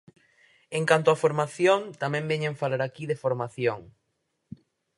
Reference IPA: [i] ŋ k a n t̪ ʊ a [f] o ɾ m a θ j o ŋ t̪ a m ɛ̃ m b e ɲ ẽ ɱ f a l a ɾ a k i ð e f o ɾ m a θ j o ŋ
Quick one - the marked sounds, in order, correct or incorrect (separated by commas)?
incorrect, correct